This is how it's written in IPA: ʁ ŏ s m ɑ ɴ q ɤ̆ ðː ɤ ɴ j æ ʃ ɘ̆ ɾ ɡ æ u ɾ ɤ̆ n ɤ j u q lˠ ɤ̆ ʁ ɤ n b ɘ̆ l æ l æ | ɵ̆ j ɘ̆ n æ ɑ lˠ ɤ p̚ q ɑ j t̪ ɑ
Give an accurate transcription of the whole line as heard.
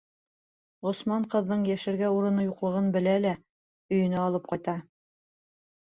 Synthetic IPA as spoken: ʁ ŏ s m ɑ ɴ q ɤ̆ ðː ɤ ɴ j æ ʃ ɘ̆ ɾ ɡ æ u ɾ ɤ̆ n ɤ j u q lˠ ɤ̆ ʁ ɤ n b ɘ̆ l æ l æ | ɵ̆ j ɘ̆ n æ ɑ lˠ ɤ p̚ q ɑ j t̪ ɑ